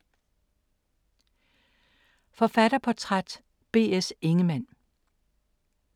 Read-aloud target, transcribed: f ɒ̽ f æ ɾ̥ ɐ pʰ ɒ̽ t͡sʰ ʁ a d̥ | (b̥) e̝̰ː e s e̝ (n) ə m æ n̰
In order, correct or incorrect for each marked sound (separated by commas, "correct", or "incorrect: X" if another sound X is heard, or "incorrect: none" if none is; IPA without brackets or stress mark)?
correct, incorrect: ŋ